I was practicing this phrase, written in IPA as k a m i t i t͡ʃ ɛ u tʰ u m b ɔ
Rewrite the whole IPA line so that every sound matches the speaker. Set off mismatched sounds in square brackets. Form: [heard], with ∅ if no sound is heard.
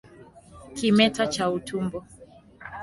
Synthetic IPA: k [i] m [ɛ] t [a] t͡ʃ [a] u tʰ u m b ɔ